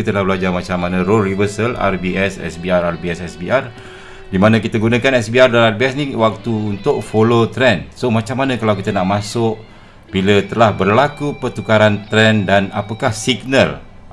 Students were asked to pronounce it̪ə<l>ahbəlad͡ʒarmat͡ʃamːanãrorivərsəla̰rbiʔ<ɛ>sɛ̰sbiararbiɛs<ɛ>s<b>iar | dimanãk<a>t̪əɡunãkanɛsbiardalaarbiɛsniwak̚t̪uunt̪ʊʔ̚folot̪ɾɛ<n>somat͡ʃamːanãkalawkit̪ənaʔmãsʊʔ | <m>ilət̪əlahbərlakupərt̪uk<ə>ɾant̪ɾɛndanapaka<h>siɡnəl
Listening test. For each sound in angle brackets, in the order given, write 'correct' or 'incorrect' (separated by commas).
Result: correct, correct, correct, correct, incorrect, correct, incorrect, incorrect, correct